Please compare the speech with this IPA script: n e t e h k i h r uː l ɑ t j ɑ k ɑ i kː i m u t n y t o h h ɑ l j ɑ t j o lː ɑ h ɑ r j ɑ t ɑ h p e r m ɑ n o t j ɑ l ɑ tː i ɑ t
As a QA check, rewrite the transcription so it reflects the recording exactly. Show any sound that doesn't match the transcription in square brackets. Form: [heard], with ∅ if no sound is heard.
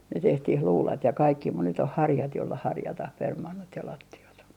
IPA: n e t e h [t] i h [l] uː l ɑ t j ɑ k ɑ i kː i m u t n y t o h h ɑ [r] j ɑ t j o lː ɑ h ɑ r j ɑ t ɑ h p e r m ɑ [nː] o t j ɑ l ɑ tː i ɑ t